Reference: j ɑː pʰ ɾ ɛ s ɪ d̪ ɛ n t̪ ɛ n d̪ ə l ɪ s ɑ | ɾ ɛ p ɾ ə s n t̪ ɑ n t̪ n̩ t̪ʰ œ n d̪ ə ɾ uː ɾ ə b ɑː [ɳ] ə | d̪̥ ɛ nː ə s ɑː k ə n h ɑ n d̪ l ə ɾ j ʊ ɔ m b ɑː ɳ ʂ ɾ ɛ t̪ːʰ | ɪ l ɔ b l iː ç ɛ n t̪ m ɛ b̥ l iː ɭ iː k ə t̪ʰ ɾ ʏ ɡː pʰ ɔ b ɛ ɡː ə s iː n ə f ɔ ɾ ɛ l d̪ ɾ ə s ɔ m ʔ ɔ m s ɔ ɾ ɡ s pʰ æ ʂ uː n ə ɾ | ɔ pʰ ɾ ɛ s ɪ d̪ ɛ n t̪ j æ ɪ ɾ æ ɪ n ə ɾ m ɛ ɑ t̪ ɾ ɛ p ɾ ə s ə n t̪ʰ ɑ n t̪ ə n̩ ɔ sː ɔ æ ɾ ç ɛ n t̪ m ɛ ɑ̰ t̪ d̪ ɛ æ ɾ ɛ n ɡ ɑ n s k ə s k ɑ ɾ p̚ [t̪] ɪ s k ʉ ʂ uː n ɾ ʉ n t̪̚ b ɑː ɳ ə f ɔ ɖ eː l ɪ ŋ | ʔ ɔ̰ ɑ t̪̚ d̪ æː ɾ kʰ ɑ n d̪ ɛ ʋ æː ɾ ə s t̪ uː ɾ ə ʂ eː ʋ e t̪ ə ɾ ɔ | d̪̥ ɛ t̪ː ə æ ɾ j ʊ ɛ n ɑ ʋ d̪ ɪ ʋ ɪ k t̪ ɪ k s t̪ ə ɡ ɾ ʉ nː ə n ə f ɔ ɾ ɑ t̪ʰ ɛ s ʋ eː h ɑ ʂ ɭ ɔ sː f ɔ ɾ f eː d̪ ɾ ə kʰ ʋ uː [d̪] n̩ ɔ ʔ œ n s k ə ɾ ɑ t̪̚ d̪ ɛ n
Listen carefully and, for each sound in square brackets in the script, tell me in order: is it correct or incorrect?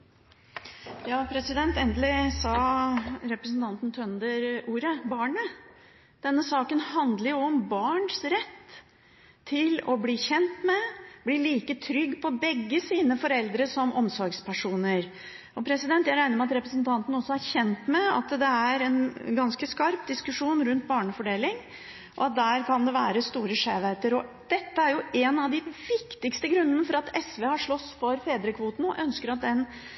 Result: correct, incorrect, incorrect

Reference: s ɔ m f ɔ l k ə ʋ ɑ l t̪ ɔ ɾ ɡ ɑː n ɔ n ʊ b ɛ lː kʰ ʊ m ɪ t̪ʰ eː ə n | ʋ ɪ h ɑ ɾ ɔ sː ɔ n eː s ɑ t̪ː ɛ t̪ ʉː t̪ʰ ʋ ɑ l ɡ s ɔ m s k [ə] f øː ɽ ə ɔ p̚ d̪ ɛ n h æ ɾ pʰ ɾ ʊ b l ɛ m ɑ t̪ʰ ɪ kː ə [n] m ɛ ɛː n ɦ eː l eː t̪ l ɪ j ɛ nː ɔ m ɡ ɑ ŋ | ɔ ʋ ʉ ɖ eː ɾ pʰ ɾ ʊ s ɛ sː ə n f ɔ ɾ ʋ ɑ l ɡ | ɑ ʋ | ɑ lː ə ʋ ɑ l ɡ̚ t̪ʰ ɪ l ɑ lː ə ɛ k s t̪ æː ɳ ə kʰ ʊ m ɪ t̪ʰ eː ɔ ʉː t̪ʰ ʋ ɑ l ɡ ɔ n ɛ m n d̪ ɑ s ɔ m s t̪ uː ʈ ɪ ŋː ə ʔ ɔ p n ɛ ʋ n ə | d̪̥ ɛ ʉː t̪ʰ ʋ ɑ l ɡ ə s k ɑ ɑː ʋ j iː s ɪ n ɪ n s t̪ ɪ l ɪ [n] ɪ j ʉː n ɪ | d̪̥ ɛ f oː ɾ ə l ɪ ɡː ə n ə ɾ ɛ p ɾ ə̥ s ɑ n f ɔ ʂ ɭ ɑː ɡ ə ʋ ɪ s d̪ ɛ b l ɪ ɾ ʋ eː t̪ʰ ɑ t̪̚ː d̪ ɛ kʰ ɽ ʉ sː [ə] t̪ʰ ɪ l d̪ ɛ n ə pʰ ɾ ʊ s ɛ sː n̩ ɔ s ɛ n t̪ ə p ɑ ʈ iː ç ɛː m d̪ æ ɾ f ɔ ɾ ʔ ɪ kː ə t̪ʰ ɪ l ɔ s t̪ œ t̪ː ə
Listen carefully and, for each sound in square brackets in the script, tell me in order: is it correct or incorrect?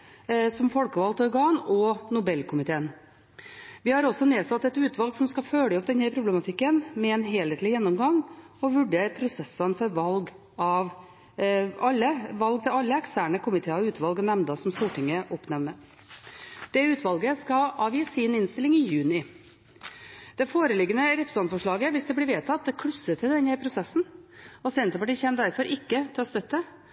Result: incorrect, correct, incorrect, correct

